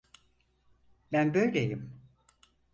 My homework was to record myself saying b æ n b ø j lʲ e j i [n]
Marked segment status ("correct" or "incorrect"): incorrect